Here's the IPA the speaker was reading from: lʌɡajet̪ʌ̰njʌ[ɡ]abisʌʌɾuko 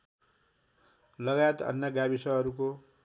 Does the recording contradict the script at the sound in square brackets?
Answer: no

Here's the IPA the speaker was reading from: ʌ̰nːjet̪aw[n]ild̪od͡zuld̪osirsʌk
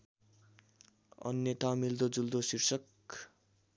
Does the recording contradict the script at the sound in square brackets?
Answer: yes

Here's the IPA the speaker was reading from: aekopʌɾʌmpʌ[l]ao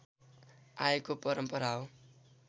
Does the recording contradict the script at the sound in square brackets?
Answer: yes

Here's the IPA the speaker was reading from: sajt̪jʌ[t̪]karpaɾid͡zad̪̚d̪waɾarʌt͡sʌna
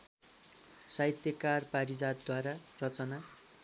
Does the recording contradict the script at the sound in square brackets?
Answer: yes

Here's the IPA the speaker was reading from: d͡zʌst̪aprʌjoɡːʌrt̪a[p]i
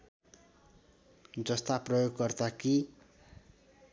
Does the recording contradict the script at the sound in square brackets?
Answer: yes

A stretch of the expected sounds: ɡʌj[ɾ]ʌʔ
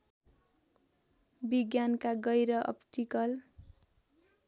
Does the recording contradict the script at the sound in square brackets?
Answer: no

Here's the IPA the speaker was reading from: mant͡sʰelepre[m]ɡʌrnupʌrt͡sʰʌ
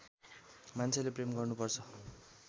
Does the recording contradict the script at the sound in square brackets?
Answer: no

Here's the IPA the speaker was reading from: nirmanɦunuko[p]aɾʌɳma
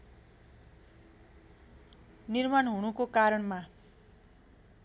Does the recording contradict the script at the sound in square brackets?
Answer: yes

